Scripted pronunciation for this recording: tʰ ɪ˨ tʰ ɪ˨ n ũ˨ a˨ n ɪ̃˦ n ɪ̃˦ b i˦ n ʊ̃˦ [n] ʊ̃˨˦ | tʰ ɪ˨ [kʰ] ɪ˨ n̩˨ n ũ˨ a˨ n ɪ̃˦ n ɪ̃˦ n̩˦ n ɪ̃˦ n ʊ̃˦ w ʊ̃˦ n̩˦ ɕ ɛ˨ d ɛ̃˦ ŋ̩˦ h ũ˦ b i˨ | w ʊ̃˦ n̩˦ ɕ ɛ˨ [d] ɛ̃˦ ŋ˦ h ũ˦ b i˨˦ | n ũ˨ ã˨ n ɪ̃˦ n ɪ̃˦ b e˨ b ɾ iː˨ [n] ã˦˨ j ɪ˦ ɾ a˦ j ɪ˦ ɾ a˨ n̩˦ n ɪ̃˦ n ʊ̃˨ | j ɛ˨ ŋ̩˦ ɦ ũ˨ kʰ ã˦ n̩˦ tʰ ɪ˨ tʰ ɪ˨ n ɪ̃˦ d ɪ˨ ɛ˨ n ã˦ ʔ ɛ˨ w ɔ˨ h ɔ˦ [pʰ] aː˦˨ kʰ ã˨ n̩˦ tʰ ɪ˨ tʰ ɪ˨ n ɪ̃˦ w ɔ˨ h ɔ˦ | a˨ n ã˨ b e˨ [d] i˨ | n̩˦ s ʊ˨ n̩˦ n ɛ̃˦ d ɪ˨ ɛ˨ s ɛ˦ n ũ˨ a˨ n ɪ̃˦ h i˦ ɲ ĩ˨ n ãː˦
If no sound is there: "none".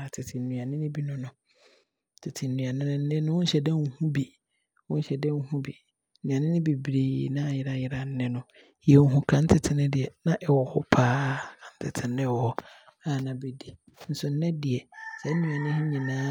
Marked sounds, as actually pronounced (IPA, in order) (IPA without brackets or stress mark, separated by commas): n, tʰ, d, n, pʰ, d